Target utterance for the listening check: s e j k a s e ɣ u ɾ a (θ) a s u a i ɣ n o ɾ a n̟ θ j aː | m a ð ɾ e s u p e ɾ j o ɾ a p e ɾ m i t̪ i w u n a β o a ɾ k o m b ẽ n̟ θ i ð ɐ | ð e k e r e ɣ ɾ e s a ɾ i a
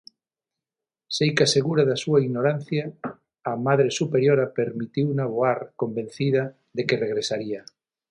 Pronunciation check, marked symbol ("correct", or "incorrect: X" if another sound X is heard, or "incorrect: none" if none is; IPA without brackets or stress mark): incorrect: ð